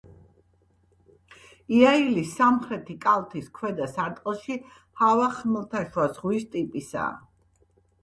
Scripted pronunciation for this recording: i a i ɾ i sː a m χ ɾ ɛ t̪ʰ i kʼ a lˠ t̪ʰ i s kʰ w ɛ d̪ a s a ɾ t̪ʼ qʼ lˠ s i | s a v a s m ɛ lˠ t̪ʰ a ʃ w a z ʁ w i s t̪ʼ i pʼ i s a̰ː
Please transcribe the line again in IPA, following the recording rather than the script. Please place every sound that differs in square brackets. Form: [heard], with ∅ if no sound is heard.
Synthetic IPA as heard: i a i [l] i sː a m χ ɾ ɛ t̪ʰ i kʼ a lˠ t̪ʰ i s kʰ w ɛ d̪ a s a ɾ t̪ʼ qʼ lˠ [ʃ] i | [h] a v a [χ] m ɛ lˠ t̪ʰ a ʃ w a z ʁ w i s t̪ʼ i pʼ i s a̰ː